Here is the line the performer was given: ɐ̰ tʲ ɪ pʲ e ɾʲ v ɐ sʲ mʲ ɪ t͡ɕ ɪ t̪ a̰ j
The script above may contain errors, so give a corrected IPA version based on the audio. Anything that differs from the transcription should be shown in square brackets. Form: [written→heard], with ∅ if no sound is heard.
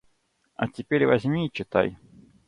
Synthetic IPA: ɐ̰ tʲ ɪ pʲ e ɾʲ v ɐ [sʲ→zʲ] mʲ [ɪ→i] t͡ɕ ɪ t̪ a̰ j